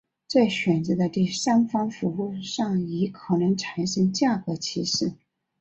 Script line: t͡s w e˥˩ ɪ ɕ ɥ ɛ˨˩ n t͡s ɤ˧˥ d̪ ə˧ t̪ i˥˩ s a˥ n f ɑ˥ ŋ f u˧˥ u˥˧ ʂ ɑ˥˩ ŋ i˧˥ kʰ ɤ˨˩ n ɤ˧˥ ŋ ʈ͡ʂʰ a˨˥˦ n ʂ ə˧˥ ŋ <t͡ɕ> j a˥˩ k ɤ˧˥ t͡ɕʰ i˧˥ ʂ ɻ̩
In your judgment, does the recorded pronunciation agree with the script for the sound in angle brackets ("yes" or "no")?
yes